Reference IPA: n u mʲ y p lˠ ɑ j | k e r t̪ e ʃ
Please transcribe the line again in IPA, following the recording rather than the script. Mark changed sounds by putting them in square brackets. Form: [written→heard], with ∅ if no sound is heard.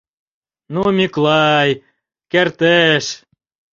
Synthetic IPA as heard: n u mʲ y [p→k] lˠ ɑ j | k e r t̪ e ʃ